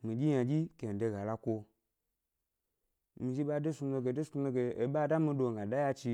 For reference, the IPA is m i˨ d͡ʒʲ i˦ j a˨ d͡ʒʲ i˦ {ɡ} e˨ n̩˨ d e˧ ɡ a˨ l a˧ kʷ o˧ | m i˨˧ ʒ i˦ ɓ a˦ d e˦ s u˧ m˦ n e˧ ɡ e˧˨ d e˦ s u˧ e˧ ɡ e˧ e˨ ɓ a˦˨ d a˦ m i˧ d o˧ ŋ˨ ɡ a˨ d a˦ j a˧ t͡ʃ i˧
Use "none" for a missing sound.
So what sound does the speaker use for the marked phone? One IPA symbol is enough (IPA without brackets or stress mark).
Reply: k